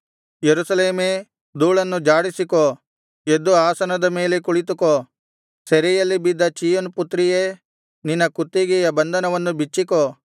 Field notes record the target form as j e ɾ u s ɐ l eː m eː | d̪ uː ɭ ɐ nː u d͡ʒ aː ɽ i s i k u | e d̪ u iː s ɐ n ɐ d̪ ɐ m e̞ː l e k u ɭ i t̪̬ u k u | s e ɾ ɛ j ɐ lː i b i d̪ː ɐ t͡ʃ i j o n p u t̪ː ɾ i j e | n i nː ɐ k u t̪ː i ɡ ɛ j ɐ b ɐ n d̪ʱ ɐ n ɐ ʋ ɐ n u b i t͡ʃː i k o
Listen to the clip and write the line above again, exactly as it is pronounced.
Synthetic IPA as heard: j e ɾ u s ɐ l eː m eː | d̪ uː ɭ ɐ nː u d͡ʒ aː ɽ i s i k o | e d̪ u aː s ɐ n ɐ d̪ ɐ m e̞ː l e k u ɭ i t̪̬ u k o | s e ɾ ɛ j ɐ lː i b i d̪ː ɐ t͡ʃ i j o n p u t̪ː ɾ i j e | n i nː ɐ k u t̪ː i ɡ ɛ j ɐ b ɐ n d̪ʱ ɐ n ɐ ʋ ɐ nː u b i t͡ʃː i k o